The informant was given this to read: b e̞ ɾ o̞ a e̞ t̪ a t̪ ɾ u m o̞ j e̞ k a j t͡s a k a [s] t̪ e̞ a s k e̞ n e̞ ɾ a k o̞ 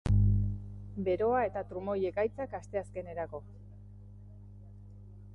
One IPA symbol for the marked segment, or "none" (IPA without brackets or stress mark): s